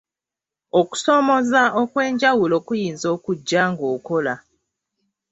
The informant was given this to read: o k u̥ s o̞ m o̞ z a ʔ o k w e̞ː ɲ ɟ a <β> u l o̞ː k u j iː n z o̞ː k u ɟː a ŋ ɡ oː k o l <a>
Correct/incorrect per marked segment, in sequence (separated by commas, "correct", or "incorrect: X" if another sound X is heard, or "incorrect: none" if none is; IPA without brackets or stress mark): incorrect: w, correct